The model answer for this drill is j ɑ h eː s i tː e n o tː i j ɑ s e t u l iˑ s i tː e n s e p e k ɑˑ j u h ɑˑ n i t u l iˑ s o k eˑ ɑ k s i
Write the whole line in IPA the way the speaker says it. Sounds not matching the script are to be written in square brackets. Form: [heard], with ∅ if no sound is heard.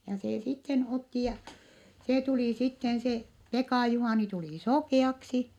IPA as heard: j ɑ [s] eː s i tː e n o tː i j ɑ s e t u l iˑ s i tː e n s e p e k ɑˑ j u h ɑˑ n i t u l iˑ s o k eˑ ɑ k s i